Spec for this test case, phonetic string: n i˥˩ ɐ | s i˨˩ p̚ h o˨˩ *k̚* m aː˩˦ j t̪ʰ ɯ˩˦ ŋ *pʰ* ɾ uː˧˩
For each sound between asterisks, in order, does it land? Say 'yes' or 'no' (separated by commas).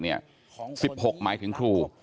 yes, no